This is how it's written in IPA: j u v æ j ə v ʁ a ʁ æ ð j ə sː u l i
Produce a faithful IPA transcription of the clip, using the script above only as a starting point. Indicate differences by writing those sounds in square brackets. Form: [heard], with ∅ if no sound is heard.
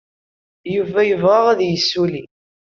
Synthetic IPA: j u v æ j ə v ʁ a ʁ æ ð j ə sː u l i